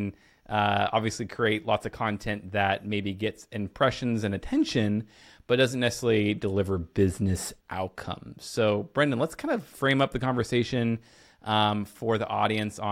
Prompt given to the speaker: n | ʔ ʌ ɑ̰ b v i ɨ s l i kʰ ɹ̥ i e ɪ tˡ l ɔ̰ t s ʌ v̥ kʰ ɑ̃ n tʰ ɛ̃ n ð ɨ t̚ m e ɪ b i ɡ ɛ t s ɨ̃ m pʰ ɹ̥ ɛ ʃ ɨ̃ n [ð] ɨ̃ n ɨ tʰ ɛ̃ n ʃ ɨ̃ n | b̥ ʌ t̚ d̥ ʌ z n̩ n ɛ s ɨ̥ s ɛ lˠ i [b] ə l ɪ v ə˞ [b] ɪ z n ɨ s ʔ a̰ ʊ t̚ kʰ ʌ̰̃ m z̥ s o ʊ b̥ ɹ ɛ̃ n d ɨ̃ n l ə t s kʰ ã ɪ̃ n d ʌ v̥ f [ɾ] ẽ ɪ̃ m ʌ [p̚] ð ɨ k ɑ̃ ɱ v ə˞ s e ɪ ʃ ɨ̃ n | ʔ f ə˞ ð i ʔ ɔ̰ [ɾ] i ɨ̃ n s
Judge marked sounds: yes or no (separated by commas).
no, no, yes, no, yes, yes